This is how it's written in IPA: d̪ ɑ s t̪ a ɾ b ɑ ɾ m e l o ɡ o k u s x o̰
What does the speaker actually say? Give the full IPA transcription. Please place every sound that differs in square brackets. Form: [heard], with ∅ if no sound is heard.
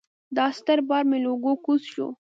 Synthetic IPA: d̪ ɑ s t̪ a ɾ b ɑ ɾ m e l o ɡ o k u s [ʃ] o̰